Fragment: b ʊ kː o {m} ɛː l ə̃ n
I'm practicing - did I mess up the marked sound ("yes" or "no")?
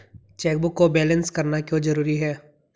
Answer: yes